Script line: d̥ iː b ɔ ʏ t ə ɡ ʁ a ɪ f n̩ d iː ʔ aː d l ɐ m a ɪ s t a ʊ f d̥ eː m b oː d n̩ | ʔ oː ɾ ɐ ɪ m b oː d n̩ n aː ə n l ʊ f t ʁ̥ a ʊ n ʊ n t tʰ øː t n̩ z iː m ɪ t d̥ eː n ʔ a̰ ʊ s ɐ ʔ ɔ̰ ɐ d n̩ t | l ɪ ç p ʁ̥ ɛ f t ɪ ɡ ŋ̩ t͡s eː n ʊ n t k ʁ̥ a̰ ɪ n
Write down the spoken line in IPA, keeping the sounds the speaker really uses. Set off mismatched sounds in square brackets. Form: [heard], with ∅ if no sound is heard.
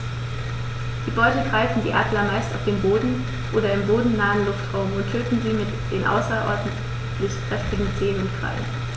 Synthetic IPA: d̥ iː b ɔ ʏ t ə ɡ ʁ a ɪ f n̩ d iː ʔ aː d l ɐ m a ɪ s t a ʊ f d̥ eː m b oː d n̩ | ʔ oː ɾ ɐ ɪ m b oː d n̩ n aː ə n l ʊ f t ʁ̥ a ʊ [m] ʊ n t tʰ øː t n̩ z iː m ɪ t d̥ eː n ʔ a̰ ʊ s ɐ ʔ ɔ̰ ɐ d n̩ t | l ɪ ç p ʁ̥ ɛ f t ɪ ɡ ŋ̩ t͡s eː n ʊ n t k ʁ̥ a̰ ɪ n